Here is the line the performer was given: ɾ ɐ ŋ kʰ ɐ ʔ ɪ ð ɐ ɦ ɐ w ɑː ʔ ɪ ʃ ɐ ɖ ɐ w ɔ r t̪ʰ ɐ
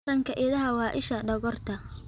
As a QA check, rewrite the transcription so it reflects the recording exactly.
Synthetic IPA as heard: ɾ ɐ ŋ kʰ ɐ ʔ ɪ ð ɐ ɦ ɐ w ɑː ʔ ɪ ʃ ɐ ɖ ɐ ɣ ɔ r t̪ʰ ɐ